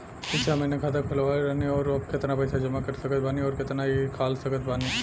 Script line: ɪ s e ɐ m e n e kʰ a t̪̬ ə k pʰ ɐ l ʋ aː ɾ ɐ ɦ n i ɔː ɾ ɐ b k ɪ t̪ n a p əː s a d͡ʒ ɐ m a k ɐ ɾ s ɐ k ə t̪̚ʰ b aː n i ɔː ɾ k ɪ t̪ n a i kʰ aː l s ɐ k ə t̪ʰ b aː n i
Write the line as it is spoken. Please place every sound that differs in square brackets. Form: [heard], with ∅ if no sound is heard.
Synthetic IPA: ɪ s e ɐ m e n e kʰ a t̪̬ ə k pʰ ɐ l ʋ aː ɾ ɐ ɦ n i ɔː ɾ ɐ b k ɪ t̪ n a p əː s a d͡ʒ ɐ m a k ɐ ɾ s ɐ k ə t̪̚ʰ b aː n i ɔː ɾ k ɪ t̪ n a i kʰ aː l s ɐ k ə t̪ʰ b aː n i